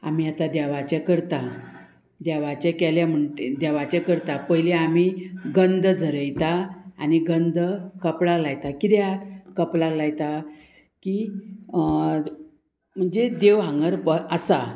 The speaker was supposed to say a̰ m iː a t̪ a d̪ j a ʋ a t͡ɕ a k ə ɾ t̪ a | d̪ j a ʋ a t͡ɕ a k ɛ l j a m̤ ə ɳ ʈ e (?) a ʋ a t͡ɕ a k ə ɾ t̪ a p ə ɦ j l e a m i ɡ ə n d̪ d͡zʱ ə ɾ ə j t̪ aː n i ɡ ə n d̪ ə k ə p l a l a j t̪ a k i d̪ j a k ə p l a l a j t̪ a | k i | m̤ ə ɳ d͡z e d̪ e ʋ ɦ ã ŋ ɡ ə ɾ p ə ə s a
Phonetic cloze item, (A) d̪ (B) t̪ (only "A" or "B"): A